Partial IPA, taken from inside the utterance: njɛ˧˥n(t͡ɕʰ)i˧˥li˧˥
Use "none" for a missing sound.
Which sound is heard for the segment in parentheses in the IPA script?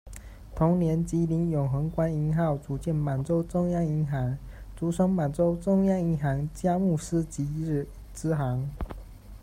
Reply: t͡ɕ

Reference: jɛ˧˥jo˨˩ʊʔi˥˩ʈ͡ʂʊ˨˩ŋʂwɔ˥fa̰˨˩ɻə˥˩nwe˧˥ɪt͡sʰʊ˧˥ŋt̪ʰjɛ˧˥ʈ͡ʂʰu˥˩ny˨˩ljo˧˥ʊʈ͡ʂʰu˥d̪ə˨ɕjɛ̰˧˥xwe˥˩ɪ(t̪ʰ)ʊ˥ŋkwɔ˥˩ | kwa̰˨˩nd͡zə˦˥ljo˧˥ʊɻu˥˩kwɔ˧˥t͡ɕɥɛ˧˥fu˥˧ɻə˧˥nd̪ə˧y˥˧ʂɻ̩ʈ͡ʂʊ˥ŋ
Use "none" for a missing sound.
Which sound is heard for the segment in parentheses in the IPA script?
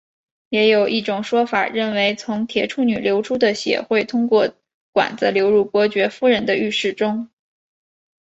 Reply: t̪ʰ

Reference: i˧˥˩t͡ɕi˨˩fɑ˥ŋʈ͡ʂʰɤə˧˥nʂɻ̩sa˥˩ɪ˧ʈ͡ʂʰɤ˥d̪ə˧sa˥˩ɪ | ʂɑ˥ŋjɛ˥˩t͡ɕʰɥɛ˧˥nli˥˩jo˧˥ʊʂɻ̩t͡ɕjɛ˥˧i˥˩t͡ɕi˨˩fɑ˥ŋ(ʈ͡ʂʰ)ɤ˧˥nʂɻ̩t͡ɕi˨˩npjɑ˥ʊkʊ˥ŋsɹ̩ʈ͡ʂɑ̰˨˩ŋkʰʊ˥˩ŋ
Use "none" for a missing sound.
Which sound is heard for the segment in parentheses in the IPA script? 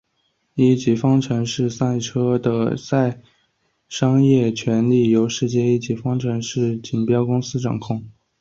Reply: ʈ͡ʂʰ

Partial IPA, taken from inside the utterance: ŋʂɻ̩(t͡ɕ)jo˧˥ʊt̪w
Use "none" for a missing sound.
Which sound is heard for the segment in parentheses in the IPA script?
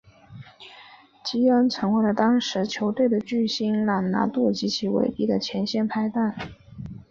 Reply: t͡ɕʰ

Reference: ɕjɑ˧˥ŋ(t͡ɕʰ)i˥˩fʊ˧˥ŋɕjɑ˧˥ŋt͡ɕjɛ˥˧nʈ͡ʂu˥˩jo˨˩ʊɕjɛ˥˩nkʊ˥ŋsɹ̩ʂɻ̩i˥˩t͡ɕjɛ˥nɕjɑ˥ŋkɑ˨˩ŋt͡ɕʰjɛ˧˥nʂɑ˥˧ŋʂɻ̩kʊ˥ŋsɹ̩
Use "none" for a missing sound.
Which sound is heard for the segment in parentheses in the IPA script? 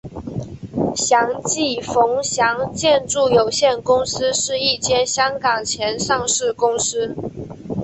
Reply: t͡ɕ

